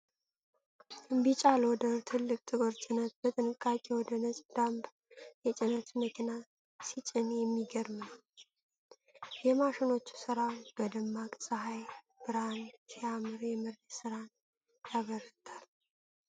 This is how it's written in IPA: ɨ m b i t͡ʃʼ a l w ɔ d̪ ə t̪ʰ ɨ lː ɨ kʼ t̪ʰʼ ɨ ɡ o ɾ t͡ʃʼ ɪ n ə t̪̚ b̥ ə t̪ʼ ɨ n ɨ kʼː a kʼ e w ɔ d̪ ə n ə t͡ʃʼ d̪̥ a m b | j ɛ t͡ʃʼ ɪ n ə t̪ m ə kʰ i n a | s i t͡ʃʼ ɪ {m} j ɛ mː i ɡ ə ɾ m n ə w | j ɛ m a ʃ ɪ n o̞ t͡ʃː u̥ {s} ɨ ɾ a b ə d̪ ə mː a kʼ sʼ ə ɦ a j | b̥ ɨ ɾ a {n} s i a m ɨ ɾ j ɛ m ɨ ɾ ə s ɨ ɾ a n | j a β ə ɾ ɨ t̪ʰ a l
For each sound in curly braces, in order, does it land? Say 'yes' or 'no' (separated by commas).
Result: no, yes, yes